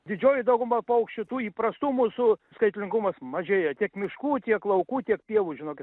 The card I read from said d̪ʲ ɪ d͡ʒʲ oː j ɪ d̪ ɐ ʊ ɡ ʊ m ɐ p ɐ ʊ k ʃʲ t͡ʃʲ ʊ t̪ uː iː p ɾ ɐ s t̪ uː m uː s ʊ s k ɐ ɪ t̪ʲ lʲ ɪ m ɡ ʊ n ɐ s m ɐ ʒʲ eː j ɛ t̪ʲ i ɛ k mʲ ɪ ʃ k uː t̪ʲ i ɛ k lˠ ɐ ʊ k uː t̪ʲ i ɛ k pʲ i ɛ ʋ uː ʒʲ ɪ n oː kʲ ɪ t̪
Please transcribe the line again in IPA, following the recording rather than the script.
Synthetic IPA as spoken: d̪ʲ ɪ d͡ʒʲ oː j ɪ d̪ ɐ ʊ ɡ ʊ m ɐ p ɐ ʊ k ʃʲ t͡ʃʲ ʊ t̪ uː iː p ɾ ɐ s t̪ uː m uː s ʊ s k ɐ ɪ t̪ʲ lʲ ɪ ŋ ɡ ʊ m ɐ s m ɐ ʒʲ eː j ɛ t̪ʲ i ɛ k mʲ ɪ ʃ k uː t̪ʲ i ɛ k lˠ ɐ ʊ k uː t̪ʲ i ɛ k pʲ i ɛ ʋ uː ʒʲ ɪ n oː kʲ ɪ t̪